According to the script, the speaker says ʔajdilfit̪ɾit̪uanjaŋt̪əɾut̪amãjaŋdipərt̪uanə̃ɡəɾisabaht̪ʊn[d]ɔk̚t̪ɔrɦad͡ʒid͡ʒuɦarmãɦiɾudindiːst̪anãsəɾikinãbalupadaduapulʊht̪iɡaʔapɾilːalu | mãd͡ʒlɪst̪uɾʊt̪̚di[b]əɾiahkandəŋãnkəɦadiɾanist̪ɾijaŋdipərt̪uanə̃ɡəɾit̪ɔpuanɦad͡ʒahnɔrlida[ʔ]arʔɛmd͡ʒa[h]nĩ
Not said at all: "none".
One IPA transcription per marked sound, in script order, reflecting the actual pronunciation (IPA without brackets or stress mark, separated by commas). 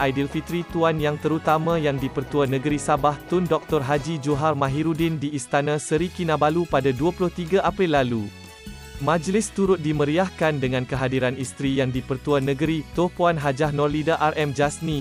d, m, ʔ, s